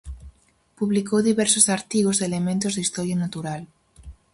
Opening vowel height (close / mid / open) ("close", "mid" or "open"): close